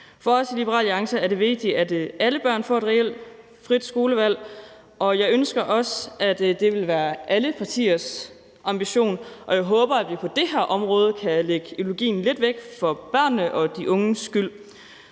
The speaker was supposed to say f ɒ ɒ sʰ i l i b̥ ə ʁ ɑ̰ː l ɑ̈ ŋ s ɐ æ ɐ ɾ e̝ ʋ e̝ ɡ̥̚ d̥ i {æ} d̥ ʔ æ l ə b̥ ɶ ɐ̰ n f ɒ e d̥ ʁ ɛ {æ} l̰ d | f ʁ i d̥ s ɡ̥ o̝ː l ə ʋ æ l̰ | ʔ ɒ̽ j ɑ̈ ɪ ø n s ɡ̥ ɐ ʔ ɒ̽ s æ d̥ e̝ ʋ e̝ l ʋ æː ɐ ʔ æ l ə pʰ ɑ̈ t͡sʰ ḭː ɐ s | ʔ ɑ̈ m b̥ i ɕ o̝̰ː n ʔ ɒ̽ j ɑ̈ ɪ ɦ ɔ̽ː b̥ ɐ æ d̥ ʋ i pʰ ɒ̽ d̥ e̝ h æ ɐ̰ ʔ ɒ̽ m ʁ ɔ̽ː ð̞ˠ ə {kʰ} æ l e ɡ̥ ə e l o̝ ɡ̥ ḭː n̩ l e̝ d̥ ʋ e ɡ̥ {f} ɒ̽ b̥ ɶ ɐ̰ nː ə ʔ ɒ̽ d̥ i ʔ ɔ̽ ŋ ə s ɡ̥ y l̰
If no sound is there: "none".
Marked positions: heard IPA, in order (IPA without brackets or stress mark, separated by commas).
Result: æ, e, kʰ, f